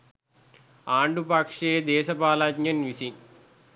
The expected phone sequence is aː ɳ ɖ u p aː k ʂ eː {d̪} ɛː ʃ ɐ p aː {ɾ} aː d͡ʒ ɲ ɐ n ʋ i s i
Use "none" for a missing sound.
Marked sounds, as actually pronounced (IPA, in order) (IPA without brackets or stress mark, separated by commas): d̪, l